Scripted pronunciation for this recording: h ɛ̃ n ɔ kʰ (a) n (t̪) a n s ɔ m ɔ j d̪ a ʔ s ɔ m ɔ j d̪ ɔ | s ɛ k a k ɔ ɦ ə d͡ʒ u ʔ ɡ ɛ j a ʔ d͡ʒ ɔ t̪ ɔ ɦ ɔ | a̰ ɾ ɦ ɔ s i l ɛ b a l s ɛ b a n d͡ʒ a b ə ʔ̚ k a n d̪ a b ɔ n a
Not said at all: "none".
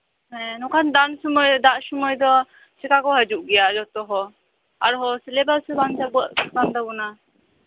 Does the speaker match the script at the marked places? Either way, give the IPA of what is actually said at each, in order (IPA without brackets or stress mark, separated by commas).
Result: a, d̪